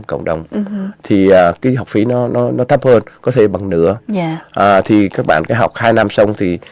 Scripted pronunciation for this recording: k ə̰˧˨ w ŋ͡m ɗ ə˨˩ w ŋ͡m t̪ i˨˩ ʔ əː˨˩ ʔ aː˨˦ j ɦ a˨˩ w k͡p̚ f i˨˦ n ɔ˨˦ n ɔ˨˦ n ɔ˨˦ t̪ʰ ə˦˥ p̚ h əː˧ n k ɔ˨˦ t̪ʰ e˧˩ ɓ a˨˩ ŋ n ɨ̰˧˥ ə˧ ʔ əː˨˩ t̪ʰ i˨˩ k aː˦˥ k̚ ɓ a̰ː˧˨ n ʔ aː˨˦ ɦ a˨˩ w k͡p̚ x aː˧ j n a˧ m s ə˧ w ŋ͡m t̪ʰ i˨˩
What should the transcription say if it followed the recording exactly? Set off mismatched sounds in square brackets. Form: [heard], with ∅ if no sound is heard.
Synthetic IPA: k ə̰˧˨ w ŋ͡m ɗ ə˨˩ w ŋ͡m [t̪ʰ] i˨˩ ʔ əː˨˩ [k] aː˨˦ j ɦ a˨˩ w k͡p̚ f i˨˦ n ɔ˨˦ n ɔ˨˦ n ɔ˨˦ t̪ʰ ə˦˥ p̚ h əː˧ n k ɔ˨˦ t̪ʰ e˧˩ ɓ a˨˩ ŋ n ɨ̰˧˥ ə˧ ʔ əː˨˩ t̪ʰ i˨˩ k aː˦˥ k̚ ɓ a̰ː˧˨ n [k] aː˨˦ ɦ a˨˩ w k͡p̚ [h] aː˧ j n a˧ m s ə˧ w ŋ͡m t̪ʰ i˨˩